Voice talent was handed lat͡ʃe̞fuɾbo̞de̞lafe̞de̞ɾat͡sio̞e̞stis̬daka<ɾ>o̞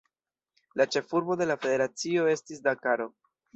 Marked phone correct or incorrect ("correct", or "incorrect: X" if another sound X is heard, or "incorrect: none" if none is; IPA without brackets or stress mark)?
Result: correct